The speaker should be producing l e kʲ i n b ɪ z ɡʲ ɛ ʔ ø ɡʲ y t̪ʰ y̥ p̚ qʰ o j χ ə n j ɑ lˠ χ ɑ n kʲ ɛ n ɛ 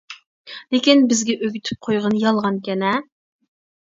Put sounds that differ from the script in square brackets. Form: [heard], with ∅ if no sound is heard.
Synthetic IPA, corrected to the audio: l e kʲ i n b ɪ z ɡʲ ɛ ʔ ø ɡʲ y t̪ʰ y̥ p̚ qʰ o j [ʁ] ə n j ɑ lˠ [ʁ] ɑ n kʲ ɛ n ɛ